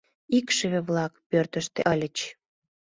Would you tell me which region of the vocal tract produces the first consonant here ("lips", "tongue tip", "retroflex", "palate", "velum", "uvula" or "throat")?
velum